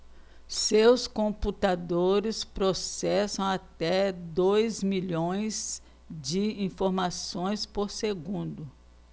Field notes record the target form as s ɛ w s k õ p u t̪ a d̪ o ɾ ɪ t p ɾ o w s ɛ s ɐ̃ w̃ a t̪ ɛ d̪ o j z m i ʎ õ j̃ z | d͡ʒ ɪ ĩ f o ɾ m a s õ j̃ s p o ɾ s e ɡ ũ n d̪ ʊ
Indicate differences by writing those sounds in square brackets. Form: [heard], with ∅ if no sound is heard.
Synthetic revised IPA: s [e] w s k õ p u t̪ a d̪ o ɾ ɪ [s] p ɾ o [∅] s ɛ s ɐ̃ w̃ a t̪ ɛ d̪ o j z m i ʎ õ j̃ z | d͡ʒ ɪ ĩ f o ɾ m a s õ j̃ s p o ɾ s e ɡ ũ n d̪ ʊ